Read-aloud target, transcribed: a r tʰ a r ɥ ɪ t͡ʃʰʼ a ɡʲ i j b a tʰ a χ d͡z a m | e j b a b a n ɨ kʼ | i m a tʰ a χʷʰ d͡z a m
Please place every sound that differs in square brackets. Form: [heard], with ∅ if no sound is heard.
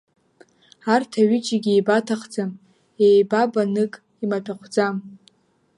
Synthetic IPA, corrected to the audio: a r tʰ a [∅] ɥ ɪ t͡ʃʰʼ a ɡʲ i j b a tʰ a χ d͡z a m | e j b a b a n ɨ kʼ | i m a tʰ a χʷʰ d͡z a m